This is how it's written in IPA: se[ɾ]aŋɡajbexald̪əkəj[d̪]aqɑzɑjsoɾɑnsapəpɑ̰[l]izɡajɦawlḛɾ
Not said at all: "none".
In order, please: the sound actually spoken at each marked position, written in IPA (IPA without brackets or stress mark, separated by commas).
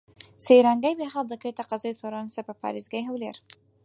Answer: ɾ, t̪, ɾ